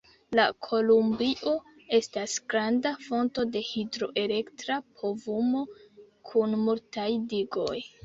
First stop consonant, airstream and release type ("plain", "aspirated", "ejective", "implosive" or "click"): aspirated